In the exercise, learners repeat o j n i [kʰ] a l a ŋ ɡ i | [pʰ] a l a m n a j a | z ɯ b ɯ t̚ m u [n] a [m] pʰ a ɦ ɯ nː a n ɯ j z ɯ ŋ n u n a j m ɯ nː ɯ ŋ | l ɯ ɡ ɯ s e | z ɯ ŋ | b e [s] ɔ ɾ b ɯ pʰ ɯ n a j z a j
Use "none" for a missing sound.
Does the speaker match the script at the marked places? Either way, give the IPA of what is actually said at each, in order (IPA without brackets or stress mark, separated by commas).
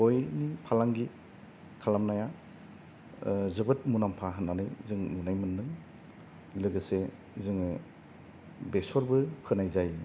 pʰ, kʰ, n, m, s